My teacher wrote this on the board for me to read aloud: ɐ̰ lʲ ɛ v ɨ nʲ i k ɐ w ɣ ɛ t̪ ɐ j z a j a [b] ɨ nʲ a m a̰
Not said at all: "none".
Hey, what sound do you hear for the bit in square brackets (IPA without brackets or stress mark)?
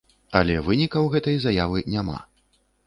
v